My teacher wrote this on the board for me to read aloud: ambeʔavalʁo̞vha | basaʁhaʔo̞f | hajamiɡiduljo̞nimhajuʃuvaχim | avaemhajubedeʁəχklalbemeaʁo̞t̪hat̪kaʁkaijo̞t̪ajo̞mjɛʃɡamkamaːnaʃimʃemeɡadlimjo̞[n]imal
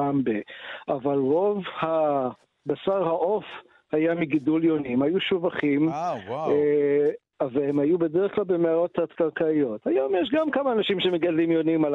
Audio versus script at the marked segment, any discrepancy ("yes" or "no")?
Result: no